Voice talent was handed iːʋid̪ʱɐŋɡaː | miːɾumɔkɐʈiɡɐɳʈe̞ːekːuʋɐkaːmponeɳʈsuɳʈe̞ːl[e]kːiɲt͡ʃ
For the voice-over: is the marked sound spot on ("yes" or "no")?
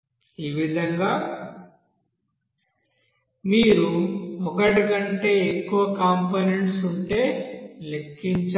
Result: yes